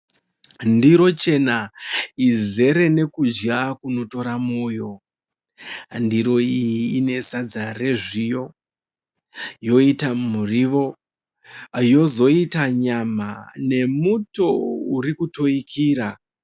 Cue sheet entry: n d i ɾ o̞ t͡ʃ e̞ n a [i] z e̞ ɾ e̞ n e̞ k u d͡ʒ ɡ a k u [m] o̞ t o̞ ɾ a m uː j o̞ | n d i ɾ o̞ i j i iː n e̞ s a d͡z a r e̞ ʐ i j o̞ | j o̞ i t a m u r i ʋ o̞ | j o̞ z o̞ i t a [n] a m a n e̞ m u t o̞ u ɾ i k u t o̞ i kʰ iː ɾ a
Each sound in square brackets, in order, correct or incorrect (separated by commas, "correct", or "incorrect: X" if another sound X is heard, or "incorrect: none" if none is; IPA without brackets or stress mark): correct, incorrect: n, incorrect: ɲ